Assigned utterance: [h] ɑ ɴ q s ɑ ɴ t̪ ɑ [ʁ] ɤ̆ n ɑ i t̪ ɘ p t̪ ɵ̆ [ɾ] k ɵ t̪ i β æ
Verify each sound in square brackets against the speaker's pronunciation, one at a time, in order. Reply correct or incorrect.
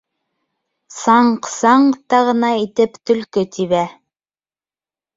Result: incorrect: s, correct, incorrect: l

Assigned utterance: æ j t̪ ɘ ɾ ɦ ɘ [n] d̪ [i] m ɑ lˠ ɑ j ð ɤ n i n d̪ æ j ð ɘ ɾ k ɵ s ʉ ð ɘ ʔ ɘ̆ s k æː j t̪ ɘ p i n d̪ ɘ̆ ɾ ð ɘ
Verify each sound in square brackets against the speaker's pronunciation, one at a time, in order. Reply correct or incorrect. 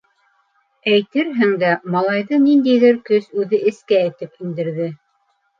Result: incorrect: ŋ, incorrect: æ

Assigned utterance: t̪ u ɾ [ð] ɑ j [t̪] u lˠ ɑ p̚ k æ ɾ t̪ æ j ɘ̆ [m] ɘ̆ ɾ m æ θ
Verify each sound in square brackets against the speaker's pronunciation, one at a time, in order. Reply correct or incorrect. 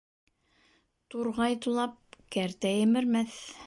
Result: incorrect: ʁ, correct, correct

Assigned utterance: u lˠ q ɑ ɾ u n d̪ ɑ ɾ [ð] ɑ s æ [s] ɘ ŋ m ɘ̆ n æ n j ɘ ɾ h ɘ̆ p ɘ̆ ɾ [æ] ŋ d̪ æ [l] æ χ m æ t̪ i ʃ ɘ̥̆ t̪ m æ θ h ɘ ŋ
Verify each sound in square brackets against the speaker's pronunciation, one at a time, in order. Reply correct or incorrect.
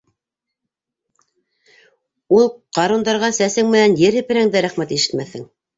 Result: incorrect: ʁ, correct, correct, incorrect: ɾ

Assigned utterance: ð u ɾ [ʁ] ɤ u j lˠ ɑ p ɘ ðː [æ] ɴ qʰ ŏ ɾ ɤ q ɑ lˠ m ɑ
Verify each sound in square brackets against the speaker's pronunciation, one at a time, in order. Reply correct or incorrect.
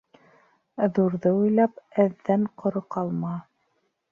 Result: incorrect: ð, correct

